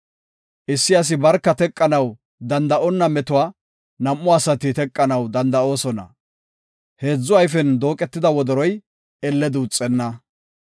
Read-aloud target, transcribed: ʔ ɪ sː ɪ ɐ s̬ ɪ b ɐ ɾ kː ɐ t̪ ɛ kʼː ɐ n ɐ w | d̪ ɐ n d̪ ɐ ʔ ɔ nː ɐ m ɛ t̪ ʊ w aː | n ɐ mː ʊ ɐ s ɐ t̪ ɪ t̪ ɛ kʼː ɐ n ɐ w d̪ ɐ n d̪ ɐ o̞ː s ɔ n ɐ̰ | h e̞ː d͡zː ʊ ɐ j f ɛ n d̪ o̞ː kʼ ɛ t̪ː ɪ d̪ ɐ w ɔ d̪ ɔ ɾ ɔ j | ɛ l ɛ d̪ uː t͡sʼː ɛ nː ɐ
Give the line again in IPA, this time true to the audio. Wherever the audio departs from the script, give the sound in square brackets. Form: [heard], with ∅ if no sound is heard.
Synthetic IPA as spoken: ʔ ɪ sː ɪ ɐ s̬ ɪ b ɐ ɾ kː ɐ t̪ ɛ kʼː ɐ n ɐ w | d̪ ɐ n d̪ ɐ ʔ ɔ nː ɐ m ɛ t̪ ʊ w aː | n ɐ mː ʊ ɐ s ɐ t̪ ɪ t̪ ɛ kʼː ɐ n ɐ w d̪ ɐ n d̪ ɐ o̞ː s ɔ n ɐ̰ | h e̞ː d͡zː ʊ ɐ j f ɛ n d̪ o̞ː kʼ ɛ t̪ː ɪ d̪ ɐ w ɔ d̪ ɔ ɾ ɔ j | ɛ [lː] ɛ d̪ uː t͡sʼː ɛ nː ɐ